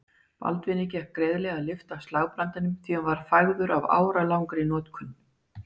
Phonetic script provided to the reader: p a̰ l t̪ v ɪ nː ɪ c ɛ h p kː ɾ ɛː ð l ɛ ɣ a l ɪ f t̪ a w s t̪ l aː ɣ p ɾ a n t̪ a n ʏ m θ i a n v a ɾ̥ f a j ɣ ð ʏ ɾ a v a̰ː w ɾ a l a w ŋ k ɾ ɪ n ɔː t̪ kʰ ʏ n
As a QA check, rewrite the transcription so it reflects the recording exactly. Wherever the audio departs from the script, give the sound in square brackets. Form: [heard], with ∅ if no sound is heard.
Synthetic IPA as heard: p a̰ l t̪ v ɪ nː ɪ c ɛ h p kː ɾ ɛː ð l ɛ ɣ a l ɪ f t̪ a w s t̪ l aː ɣ p ɾ a n t̪ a n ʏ m θ i a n v a ɾ̥ f a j ɣ ð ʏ ɾ a v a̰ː w ɾ a l a w ŋ k ɾ ɪ n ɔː t̪ kʰ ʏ n